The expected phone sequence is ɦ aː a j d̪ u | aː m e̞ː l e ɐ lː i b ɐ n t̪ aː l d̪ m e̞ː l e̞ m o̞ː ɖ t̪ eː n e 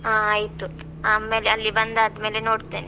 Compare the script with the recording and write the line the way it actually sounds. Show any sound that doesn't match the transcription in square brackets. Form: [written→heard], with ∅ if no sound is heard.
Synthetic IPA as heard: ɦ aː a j [d̪→t̪] u | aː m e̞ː l e ɐ lː i b ɐ n [t̪→d̪] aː [l→∅] d̪ m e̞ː l e̞ [m→n] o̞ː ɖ t̪ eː n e